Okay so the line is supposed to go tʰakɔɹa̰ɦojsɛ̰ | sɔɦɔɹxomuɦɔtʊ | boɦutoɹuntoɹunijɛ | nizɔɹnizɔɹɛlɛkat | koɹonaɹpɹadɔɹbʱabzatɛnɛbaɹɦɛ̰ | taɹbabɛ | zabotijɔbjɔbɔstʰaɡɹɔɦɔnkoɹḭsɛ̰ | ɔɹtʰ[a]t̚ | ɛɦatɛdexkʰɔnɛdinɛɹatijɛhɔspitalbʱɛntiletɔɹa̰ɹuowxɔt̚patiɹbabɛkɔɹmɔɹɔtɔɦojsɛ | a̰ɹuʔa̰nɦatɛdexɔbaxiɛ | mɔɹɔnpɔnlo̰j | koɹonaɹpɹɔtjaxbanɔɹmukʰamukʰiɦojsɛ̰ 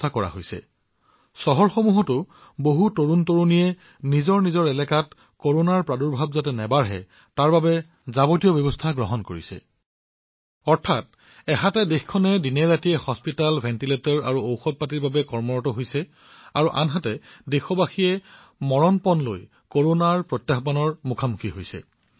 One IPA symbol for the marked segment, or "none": a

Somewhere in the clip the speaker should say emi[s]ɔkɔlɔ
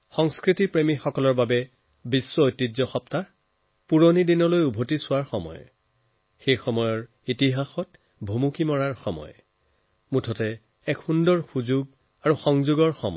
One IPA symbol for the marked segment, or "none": x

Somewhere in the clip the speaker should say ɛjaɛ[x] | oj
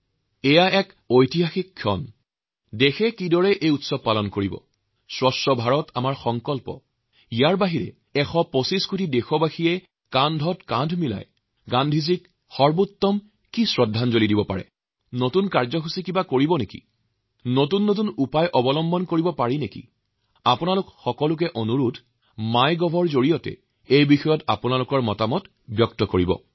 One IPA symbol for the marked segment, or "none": k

